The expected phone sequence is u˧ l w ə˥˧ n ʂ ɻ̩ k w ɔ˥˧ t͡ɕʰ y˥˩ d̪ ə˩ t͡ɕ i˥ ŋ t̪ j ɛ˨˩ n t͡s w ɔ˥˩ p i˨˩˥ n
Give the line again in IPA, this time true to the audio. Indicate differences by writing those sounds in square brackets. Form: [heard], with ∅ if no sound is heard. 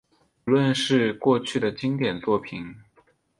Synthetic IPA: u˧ l w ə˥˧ n ʂ ɻ̩ k w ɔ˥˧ t͡ɕʰ y˥˩ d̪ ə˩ t͡ɕ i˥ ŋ t̪ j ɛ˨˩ n t͡s w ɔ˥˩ [pʰ] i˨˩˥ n